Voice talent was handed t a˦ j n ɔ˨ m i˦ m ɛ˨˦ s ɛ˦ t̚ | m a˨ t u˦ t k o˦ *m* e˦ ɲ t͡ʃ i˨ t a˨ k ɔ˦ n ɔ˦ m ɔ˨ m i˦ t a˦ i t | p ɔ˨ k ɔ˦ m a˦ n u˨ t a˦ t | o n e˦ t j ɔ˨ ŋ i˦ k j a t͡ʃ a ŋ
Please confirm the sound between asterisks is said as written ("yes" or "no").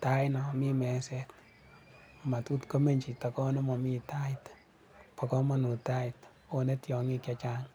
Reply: yes